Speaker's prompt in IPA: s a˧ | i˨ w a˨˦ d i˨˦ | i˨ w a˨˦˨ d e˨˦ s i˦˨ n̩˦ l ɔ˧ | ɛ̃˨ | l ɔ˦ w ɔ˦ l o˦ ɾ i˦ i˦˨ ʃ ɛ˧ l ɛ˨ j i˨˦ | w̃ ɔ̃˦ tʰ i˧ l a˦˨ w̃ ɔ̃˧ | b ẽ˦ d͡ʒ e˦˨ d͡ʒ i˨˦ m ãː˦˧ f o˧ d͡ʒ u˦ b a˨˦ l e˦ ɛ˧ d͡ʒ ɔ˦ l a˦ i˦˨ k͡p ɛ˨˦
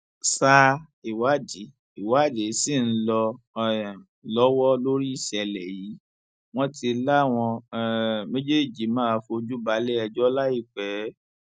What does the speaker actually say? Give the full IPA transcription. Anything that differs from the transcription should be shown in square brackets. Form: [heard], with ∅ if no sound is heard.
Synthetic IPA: s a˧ | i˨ w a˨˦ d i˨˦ | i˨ w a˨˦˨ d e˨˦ s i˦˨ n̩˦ l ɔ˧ | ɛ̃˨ | l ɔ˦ w ɔ˦ l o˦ ɾ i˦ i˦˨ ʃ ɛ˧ l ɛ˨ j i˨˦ | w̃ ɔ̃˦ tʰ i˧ l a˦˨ w̃ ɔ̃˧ | [m] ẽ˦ d͡ʒ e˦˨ d͡ʒ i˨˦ m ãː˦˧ f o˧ d͡ʒ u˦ b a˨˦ l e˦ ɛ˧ d͡ʒ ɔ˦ l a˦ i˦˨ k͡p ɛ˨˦